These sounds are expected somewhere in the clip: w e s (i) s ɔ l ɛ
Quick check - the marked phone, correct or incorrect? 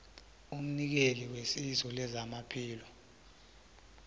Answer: correct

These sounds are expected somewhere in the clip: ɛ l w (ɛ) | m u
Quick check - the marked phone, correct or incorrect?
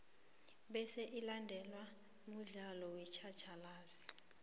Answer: incorrect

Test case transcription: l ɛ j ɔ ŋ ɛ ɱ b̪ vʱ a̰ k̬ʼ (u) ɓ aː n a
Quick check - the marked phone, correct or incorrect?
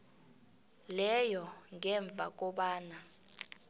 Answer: incorrect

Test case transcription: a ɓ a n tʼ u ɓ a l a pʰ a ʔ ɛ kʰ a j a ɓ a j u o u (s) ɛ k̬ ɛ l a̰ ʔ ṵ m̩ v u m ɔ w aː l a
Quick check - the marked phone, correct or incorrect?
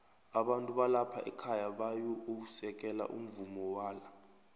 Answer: correct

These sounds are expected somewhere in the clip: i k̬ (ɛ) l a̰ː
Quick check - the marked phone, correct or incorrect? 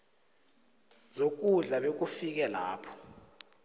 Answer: correct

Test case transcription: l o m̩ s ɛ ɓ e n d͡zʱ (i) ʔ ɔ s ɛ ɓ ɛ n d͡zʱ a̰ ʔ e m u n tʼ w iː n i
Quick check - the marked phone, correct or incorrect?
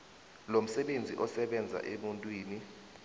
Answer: correct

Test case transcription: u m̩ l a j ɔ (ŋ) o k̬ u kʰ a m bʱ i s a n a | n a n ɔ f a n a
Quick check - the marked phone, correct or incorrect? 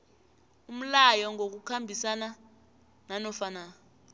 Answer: correct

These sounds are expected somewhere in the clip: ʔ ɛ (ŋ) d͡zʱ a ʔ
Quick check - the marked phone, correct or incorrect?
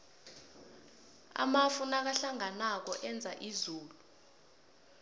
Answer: incorrect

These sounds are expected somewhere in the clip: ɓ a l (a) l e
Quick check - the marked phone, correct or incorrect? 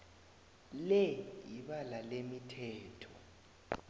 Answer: correct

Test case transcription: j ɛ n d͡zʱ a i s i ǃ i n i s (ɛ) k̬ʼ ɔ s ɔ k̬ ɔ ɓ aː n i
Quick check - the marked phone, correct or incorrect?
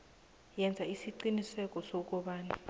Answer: correct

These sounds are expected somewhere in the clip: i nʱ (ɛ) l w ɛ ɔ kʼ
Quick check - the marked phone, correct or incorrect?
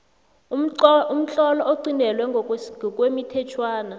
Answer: correct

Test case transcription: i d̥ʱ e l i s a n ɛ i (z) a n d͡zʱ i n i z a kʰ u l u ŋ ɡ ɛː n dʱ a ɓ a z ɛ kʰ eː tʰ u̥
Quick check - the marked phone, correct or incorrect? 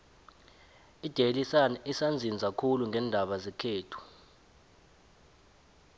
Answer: incorrect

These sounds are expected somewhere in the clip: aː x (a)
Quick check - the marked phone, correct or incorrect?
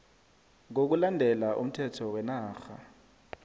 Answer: correct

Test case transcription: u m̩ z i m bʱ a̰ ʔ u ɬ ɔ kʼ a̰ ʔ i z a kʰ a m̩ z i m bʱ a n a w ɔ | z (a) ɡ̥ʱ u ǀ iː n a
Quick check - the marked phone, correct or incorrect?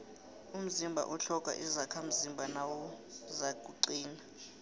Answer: correct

